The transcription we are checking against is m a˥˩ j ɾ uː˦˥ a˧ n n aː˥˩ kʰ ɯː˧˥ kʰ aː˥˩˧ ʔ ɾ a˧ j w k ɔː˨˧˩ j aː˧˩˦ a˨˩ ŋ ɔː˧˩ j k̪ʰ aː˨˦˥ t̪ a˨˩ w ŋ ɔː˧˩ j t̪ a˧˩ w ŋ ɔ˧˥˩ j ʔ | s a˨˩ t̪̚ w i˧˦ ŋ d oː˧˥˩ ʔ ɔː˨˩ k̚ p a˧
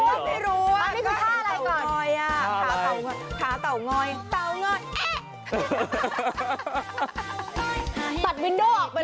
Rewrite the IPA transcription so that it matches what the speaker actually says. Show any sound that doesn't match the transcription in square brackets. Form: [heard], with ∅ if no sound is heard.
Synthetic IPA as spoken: m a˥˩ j ɾ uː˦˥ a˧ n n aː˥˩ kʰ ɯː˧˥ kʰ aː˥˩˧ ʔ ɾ a˧ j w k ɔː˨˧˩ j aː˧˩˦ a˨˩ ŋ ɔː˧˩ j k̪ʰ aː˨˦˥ t̪ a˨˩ w ŋ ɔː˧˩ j t̪ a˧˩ w ŋ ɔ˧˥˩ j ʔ | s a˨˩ t̪̚ w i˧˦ [n] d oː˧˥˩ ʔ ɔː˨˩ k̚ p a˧